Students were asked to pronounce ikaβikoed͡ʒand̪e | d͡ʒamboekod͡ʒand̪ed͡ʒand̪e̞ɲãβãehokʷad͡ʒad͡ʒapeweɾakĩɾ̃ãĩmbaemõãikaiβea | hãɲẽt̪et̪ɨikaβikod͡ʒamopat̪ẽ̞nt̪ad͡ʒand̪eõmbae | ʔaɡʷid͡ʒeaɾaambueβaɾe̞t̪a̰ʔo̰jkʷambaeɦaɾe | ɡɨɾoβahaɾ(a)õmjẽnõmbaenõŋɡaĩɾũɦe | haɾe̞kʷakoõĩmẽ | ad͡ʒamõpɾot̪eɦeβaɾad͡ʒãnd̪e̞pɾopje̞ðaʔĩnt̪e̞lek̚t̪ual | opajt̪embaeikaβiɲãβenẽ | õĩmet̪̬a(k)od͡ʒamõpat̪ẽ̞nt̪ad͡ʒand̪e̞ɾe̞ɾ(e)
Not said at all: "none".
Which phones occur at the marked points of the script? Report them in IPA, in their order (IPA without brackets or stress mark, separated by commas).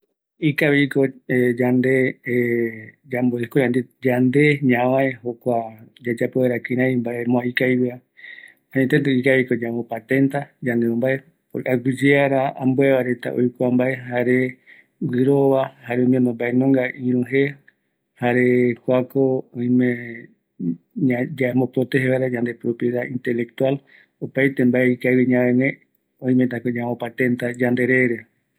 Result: e, k, e